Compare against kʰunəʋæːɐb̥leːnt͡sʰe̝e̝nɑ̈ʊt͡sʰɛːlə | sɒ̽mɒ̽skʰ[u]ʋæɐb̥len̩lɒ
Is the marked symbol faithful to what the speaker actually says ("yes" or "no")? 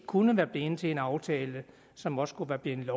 yes